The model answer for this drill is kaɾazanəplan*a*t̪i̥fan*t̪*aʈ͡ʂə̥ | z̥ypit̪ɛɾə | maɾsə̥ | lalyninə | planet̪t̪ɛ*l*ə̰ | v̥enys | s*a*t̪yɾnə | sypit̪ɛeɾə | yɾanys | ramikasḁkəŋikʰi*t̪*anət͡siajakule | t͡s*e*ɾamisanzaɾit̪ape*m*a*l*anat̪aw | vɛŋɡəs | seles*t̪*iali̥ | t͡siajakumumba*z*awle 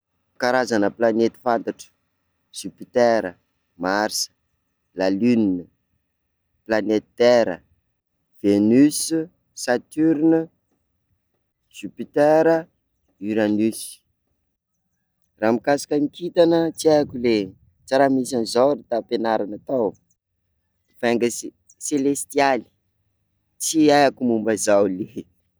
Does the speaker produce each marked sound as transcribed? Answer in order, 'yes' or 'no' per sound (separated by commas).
no, yes, no, yes, yes, no, no, no, yes, yes